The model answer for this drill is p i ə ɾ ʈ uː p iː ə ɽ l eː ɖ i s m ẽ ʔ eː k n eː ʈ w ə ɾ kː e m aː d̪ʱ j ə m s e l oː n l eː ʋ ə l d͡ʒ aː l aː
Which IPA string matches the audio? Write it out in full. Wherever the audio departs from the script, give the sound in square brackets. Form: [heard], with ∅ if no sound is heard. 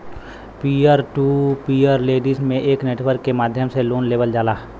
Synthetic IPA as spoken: p i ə ɾ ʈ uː p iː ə [ɾ] l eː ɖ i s m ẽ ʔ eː k n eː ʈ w ə ɾ kː e m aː d̪ʱ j ə m s e l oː n l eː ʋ ə l d͡ʒ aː l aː